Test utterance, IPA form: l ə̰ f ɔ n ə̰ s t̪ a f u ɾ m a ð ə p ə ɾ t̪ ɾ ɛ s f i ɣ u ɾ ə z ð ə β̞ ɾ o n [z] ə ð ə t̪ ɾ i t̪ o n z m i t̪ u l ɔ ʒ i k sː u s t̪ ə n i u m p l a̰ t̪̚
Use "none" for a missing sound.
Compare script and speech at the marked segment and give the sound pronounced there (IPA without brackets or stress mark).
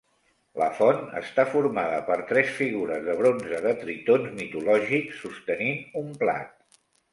z